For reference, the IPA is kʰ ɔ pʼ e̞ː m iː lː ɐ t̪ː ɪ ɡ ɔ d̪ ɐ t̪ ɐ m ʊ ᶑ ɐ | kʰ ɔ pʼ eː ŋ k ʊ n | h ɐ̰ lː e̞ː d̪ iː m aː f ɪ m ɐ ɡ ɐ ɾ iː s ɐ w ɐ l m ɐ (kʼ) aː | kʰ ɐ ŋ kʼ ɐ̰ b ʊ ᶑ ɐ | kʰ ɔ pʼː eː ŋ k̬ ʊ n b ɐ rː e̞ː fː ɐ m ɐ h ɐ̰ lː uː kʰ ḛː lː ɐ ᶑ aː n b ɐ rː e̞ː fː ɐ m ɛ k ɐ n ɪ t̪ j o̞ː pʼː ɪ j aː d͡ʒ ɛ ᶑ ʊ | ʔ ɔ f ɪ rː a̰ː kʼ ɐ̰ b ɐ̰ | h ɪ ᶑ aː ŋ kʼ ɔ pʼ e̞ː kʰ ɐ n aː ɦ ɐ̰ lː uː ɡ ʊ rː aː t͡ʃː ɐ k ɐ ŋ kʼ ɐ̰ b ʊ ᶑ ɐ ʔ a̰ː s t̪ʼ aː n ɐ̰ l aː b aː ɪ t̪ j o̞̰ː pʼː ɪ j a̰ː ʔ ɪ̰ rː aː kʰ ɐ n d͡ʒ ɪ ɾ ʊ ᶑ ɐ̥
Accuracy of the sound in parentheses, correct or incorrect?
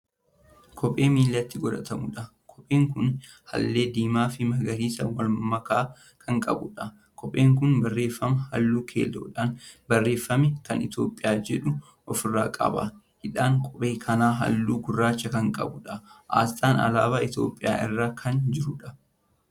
incorrect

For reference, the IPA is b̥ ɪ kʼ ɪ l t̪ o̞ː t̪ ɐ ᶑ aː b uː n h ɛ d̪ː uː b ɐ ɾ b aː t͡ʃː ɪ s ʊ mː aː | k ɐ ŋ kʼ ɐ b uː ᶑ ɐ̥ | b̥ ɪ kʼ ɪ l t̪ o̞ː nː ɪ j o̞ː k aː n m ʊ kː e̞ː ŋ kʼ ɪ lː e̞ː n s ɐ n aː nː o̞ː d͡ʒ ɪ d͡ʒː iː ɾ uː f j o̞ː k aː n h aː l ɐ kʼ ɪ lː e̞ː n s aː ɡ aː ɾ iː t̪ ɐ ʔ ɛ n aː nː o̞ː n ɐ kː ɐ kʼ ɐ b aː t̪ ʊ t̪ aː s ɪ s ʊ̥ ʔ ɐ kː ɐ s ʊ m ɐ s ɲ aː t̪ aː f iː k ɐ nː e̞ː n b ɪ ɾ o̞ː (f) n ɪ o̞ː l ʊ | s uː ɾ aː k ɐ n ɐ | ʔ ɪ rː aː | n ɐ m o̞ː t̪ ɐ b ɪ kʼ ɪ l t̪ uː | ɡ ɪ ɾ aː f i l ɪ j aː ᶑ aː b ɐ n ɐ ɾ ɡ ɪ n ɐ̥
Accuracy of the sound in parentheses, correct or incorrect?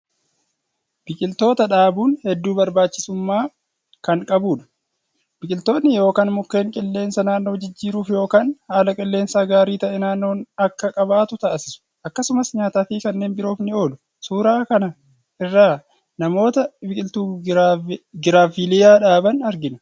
correct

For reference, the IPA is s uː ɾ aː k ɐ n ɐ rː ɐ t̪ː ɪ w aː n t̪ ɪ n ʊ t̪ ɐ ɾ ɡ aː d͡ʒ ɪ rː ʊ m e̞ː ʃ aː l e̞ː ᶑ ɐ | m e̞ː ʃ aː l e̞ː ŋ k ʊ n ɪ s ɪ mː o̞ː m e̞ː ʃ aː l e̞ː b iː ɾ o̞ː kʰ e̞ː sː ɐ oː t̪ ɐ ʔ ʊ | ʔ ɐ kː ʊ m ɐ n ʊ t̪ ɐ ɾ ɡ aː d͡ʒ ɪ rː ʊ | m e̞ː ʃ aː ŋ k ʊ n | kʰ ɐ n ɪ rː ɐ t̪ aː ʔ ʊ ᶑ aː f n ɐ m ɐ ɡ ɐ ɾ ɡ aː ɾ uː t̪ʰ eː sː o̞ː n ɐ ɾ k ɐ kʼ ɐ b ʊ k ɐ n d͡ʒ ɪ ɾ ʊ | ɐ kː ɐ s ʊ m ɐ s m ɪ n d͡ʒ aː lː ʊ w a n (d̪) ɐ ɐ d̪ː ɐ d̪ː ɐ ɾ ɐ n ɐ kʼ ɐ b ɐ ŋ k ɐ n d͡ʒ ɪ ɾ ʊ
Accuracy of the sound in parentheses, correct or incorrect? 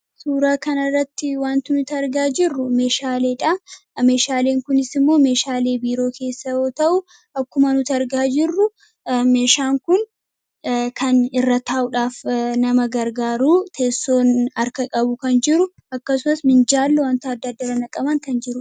incorrect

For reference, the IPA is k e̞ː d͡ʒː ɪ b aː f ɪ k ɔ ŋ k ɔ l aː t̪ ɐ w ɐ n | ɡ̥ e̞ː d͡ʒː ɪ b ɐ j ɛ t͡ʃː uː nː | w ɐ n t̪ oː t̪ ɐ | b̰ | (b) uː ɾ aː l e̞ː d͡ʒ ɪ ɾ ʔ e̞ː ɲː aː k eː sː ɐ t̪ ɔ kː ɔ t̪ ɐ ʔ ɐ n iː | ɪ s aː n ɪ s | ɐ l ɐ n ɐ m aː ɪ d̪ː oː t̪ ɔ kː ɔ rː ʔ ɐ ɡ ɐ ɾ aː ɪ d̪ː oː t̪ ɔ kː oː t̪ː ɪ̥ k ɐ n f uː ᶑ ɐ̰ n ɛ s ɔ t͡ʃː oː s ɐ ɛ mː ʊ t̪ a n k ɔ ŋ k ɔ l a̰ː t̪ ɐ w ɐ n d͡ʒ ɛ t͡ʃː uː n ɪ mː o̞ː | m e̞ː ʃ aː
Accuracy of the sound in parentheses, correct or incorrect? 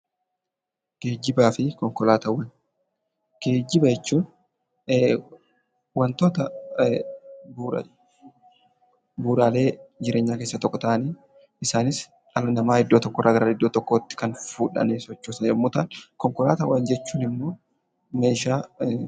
correct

